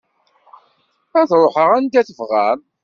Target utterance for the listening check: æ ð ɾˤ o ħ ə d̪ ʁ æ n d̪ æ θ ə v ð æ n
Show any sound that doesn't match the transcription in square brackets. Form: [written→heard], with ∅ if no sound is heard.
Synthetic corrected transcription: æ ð ɾˤ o ħ ə [d̪→∅] ʁ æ n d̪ æ θ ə v [ð→ʁ] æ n